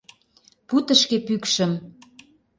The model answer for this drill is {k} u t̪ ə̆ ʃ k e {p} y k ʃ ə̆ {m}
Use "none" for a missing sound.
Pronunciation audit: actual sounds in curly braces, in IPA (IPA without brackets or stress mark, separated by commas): p, p, m